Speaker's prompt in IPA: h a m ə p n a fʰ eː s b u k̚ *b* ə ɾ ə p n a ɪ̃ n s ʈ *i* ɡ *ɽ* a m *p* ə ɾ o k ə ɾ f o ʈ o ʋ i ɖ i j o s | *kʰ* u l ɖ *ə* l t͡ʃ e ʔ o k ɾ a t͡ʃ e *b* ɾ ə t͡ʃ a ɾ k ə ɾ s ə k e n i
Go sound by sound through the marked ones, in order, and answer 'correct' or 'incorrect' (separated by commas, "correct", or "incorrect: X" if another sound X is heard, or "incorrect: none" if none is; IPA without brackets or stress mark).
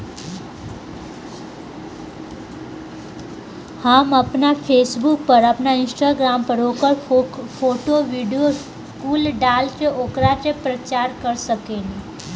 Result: incorrect: p, incorrect: a, incorrect: ɾ, correct, incorrect: k, incorrect: a, incorrect: p